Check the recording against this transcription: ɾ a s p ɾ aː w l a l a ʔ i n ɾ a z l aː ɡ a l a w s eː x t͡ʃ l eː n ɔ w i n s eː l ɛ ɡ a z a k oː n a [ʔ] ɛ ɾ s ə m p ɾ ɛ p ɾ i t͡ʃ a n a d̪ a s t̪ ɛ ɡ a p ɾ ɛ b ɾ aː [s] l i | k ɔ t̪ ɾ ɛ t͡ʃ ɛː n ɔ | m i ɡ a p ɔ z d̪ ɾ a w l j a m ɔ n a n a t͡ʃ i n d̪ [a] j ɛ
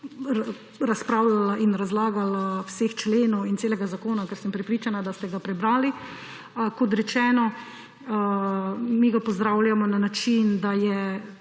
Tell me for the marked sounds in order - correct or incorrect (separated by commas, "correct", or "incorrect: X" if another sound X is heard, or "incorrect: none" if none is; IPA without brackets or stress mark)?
incorrect: k, incorrect: none, correct